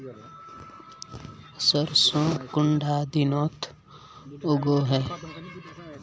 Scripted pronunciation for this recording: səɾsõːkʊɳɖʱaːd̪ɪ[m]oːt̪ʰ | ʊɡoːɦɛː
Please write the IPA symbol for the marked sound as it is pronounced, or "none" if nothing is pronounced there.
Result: n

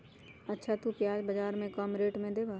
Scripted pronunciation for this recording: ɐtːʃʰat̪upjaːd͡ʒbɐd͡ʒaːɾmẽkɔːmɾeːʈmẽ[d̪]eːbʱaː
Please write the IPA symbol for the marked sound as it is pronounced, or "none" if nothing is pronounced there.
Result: d̪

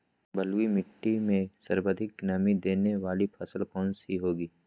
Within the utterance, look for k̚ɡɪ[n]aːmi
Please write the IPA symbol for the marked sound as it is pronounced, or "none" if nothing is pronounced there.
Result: n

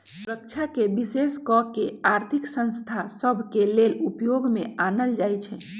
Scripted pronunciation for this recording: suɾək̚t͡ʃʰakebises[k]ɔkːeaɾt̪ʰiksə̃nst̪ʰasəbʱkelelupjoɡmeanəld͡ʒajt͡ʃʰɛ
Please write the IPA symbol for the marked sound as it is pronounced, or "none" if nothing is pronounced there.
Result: k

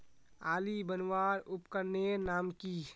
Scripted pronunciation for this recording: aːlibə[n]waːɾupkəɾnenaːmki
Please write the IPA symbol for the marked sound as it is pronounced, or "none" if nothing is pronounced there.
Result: n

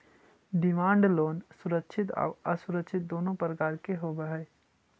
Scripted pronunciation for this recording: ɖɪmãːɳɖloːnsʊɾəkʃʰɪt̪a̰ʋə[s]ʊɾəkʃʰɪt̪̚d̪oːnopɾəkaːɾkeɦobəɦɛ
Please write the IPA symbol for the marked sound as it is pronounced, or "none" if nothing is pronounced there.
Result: s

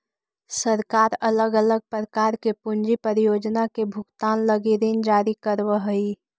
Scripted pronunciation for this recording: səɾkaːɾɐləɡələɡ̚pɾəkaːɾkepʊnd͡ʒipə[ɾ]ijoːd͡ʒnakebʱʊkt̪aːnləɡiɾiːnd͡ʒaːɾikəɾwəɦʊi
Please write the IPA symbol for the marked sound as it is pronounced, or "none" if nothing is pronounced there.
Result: ɾ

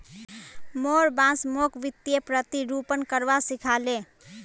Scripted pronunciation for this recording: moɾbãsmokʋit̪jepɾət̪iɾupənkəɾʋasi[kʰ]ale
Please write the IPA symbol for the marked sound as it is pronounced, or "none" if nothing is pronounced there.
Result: kʰ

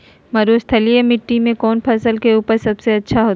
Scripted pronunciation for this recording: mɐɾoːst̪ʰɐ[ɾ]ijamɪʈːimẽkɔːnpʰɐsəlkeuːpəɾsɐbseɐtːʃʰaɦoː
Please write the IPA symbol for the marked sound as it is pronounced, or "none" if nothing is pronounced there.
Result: l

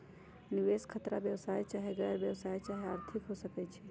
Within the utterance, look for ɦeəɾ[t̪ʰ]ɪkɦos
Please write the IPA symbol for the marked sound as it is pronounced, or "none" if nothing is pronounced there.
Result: t̪ʰ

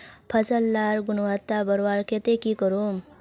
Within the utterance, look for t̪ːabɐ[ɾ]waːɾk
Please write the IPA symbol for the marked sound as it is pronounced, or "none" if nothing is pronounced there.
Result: ɾ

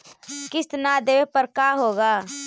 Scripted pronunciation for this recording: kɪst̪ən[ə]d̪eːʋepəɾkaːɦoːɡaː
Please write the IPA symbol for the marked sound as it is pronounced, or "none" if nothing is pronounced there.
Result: a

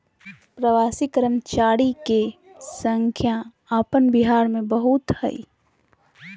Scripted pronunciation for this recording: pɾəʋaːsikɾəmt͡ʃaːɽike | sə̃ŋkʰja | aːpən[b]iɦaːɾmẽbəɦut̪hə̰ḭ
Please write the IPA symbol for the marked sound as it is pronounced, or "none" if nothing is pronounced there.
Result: b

